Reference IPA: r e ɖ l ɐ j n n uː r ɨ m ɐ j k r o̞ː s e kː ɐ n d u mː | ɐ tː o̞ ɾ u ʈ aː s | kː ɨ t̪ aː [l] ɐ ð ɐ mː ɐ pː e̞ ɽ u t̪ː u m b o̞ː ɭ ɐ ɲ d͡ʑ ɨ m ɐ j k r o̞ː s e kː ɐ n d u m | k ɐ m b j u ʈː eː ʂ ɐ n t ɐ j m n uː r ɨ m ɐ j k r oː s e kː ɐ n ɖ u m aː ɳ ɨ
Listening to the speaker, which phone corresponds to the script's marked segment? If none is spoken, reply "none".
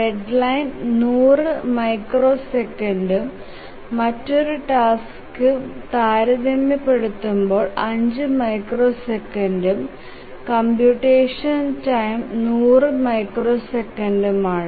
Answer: ɾ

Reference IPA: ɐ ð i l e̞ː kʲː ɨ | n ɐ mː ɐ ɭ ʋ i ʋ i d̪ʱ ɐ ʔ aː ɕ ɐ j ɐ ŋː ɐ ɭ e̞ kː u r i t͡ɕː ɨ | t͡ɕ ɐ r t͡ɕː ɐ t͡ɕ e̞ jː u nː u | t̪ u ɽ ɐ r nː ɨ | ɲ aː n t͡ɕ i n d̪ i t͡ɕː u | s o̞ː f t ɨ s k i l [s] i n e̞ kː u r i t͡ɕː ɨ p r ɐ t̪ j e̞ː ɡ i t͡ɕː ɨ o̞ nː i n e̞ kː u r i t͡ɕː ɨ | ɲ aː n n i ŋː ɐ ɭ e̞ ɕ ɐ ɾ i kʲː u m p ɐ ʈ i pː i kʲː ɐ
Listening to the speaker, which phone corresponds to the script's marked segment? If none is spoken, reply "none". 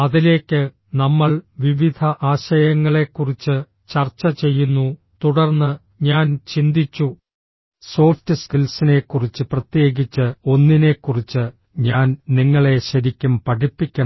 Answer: s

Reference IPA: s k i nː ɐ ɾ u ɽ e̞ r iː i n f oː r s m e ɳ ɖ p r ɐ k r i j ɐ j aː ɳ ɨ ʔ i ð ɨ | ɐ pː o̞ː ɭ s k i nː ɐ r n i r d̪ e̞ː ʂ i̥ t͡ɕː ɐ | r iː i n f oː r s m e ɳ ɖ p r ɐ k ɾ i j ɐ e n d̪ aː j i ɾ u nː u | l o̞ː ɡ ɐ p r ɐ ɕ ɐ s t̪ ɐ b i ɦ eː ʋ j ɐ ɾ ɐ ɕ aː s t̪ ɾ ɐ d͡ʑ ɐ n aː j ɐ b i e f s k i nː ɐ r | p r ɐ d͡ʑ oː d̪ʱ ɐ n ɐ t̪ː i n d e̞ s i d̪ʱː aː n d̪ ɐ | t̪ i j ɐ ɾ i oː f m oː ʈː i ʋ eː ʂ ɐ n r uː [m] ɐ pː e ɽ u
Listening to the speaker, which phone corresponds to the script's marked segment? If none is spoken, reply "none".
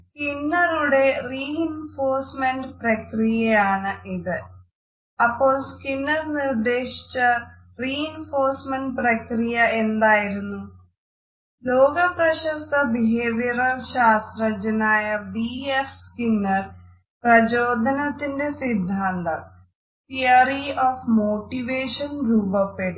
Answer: b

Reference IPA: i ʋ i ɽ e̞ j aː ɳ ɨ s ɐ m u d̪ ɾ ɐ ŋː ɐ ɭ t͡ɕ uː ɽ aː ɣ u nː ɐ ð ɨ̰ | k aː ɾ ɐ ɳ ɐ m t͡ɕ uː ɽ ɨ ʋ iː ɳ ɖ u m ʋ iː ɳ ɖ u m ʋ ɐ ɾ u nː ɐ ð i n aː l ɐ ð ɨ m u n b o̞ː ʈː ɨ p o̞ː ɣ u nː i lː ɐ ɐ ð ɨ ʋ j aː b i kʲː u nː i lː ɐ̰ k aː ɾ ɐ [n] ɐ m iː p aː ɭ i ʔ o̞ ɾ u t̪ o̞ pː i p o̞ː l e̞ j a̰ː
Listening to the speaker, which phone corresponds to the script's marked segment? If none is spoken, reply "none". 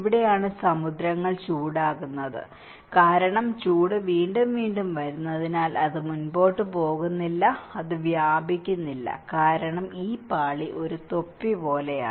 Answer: ɳ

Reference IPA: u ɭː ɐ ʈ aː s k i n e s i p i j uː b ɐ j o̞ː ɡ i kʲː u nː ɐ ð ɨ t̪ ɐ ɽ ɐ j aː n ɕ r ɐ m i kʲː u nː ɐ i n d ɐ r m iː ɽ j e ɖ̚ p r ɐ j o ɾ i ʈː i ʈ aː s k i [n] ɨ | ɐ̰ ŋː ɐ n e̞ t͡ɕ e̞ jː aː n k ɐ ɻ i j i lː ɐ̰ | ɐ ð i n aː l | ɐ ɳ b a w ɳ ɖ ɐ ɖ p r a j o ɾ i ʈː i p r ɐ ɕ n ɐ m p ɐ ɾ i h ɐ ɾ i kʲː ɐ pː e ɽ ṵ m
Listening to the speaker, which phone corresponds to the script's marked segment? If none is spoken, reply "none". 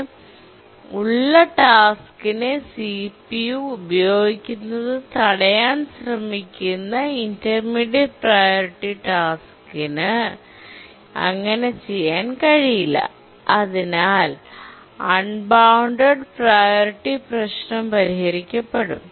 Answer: n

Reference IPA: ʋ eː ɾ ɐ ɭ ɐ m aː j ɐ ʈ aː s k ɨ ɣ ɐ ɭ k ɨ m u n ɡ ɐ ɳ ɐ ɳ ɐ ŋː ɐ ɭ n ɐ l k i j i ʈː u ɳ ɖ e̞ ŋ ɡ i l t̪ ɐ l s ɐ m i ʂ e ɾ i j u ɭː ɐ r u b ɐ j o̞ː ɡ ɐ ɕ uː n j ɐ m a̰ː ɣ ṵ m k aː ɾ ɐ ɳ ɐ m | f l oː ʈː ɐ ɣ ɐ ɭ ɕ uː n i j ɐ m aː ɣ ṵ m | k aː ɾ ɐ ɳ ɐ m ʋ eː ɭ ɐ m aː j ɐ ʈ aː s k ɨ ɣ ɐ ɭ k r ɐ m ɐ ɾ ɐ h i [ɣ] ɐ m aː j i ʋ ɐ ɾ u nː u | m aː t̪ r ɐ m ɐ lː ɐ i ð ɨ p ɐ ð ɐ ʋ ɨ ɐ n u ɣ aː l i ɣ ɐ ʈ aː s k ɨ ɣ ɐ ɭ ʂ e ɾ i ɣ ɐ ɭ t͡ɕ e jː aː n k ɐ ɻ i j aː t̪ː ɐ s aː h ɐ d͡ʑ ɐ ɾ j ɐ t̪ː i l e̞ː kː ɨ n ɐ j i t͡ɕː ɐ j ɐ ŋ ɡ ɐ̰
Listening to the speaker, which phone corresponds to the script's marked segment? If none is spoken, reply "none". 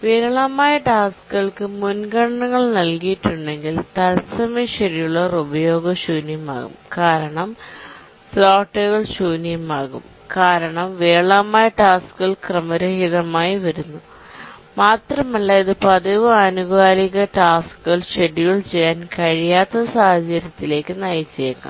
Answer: ð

